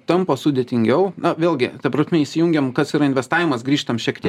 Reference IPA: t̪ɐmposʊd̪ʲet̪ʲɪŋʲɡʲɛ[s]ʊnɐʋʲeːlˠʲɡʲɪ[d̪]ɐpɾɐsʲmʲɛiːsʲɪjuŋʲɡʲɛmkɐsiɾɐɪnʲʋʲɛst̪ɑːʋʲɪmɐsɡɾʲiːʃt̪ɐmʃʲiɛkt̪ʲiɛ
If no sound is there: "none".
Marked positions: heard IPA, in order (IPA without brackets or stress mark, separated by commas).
none, t̪